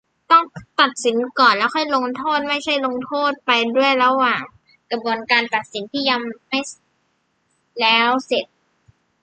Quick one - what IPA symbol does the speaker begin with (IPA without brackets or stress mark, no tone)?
t̪